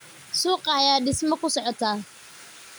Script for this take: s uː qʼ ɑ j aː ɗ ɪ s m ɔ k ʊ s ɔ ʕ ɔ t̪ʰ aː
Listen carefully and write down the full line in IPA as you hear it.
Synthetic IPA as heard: s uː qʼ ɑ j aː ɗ ɪ s m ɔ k ʊ s ɔ ʕ ɔ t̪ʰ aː